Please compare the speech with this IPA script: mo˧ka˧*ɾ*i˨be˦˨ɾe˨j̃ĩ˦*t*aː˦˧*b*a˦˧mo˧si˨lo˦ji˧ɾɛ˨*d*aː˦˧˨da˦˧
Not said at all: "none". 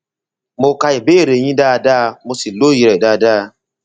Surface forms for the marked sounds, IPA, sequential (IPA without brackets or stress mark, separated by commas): none, d, d, d